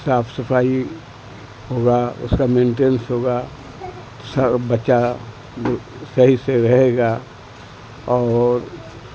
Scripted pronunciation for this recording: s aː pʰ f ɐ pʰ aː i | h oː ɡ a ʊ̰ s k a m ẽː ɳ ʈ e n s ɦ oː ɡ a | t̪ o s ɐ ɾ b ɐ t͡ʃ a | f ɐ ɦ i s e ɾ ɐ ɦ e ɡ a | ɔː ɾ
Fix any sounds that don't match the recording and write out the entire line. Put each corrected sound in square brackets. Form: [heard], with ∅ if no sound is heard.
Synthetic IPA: s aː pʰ [s] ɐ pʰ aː i | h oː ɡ a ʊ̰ s k a m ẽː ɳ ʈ e n s ɦ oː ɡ a | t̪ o s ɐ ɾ b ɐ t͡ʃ a | [s] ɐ ɦ i s e ɾ ɐ ɦ e ɡ a | ɔː ɾ